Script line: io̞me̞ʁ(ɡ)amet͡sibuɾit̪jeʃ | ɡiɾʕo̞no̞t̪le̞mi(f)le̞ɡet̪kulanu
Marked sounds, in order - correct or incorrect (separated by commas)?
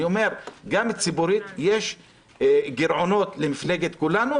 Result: correct, correct